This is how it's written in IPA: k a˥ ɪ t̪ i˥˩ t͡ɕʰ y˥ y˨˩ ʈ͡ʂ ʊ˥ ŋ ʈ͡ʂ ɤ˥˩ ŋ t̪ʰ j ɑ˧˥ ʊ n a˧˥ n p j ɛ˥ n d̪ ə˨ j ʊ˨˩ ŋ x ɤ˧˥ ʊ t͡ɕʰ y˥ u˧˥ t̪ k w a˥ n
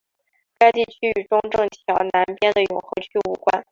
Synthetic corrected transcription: k a˥ ɪ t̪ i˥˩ t͡ɕʰ y˥ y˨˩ ʈ͡ʂ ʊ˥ ŋ ʈ͡ʂ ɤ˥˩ ŋ t̪ʰ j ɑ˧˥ ʊ n a˧˥ n p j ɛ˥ n d̪ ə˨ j ʊ˨˩ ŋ x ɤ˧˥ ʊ t͡ɕʰ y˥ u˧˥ k w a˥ n